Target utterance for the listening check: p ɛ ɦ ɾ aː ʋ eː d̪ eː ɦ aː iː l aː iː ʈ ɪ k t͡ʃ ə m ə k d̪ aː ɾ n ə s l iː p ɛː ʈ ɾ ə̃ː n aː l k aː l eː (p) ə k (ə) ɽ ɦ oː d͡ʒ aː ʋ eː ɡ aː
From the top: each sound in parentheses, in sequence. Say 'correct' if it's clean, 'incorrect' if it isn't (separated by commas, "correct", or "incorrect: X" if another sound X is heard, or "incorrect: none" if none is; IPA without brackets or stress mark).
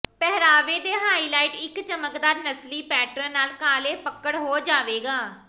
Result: correct, correct